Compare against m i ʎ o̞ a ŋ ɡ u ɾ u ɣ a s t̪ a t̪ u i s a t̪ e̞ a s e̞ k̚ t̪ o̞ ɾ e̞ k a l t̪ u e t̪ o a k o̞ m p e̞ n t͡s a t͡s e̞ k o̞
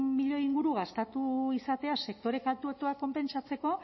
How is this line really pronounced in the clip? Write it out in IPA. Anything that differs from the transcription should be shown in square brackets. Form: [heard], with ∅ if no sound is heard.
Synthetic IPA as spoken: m i ʎ o̞ [i] ŋ ɡ u ɾ u ɣ a s t̪ a t̪ u i s a t̪ e̞ a s e̞ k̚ t̪ o̞ ɾ e̞ k a l t̪ u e t̪ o a k o̞ m p e̞ n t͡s a t͡s e̞ k o̞